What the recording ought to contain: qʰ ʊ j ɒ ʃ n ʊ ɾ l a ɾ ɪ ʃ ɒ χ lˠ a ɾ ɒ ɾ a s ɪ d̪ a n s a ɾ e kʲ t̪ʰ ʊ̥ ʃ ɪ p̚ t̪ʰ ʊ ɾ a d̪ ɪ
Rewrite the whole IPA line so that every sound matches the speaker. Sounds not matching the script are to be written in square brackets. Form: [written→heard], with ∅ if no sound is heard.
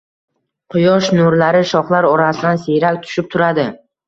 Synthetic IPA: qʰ ʊ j ɒ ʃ n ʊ ɾ l a ɾ ɪ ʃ ɒ χ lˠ a ɾ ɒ ɾ a s ɪ d̪ a n s [a→e] ɾ [e→a] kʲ t̪ʰ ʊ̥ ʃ ɪ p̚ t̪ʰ ʊ ɾ a d̪ ɪ